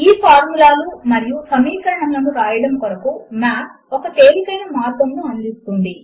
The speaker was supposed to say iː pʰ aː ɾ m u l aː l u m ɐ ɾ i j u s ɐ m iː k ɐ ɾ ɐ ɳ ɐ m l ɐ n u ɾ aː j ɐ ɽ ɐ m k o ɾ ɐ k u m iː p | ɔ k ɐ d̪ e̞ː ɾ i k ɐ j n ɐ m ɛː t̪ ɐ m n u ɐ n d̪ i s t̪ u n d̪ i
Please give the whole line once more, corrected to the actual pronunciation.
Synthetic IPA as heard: iː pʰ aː ɾ m u l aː l u m ɐ ɾ i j u s ɐ m iː k ɐ ɾ ɐ ɳ ɐ m l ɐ n u ɾ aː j ɐ ɽ ɐ m k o ɾ ɐ k u m aː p | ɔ k ɐ t̪ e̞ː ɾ i k ɐ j n ɐ m aː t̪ ɐ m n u ɐ n d̪ i s t̪ u n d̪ i